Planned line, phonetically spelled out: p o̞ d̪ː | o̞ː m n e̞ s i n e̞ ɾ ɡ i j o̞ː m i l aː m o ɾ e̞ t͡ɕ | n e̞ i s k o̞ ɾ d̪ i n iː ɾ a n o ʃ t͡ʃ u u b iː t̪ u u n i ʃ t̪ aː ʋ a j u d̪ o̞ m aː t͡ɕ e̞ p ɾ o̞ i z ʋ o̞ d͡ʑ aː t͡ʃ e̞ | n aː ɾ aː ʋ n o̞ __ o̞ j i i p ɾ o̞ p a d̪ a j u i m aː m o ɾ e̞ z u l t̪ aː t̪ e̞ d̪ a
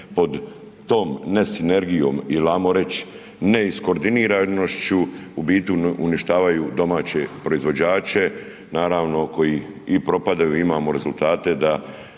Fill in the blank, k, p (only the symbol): k